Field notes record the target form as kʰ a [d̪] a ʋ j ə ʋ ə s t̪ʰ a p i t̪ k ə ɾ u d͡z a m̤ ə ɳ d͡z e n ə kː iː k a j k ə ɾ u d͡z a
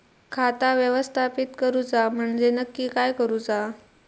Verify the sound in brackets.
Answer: incorrect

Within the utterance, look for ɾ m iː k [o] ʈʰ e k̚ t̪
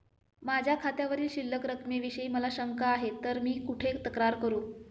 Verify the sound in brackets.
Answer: incorrect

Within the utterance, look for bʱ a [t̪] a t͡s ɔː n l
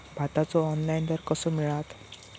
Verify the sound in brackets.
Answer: correct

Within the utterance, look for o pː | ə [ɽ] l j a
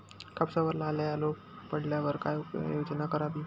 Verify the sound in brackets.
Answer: correct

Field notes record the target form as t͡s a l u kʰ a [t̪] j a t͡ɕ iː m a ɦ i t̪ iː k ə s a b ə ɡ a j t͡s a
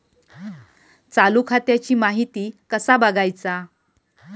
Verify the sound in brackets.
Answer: correct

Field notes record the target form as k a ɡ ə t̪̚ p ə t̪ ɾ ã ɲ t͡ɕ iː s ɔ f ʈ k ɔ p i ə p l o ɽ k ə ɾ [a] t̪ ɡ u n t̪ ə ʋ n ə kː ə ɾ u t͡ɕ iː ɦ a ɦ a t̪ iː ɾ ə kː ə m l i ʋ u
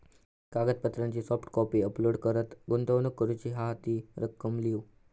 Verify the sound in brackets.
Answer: incorrect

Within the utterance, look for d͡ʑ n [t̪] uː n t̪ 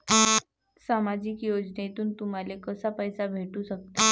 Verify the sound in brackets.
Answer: correct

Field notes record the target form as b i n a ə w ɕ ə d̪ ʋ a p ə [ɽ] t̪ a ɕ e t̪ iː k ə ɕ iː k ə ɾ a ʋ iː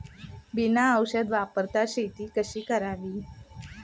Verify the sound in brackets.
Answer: incorrect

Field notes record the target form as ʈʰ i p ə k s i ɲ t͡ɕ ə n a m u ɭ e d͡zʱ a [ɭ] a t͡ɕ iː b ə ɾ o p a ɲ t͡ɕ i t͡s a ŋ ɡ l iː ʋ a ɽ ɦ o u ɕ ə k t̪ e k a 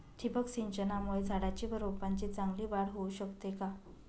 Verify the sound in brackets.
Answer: incorrect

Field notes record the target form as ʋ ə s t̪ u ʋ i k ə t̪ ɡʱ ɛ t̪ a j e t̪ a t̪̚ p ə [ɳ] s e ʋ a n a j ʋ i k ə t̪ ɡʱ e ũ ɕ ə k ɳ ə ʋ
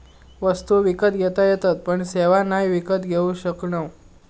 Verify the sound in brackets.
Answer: correct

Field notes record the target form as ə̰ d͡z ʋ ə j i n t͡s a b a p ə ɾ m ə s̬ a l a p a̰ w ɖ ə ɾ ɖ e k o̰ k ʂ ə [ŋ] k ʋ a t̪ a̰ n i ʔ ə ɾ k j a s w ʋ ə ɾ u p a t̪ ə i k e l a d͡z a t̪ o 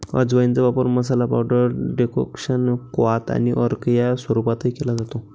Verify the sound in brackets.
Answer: incorrect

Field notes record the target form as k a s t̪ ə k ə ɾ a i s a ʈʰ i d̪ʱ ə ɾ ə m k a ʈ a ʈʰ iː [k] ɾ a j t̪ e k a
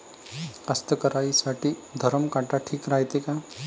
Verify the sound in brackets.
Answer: correct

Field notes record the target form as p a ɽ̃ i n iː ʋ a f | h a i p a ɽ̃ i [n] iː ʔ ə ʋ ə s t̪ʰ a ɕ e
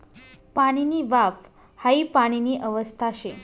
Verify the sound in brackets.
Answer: correct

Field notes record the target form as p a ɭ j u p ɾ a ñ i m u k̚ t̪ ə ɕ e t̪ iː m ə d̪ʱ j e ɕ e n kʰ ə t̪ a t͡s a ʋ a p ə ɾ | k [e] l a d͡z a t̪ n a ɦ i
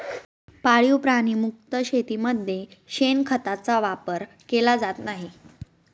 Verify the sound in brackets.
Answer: correct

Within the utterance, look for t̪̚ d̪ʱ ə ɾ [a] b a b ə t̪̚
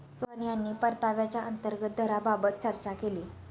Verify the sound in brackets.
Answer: correct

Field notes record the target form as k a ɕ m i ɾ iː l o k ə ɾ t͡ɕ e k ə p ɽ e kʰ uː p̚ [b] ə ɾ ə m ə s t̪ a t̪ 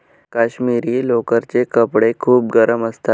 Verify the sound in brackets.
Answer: incorrect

